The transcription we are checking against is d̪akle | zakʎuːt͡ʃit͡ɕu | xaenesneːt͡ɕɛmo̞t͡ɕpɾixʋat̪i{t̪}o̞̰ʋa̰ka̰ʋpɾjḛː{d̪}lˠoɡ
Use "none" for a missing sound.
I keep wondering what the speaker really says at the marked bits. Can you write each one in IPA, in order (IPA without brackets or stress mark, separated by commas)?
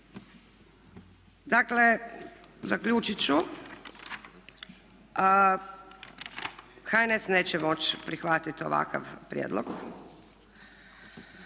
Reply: t̪, d̪